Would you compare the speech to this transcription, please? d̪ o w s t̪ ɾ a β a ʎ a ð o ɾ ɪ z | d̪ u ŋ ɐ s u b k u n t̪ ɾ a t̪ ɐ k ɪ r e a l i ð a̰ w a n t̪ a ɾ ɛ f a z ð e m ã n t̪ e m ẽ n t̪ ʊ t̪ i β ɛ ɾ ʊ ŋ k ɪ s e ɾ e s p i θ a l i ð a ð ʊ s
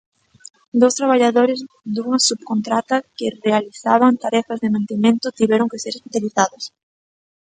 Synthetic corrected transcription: d̪ o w s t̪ ɾ a β a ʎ a ð o ɾ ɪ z | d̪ u ŋ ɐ s u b k o n t̪ ɾ a t̪ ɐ k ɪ r e a l i θ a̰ β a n t̪ a ɾ ɛ f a z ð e m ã n t̪ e m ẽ n t̪ ʊ t̪ i β ɛ ɾ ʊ ŋ k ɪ s e ɾ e s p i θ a l i θ a ð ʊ s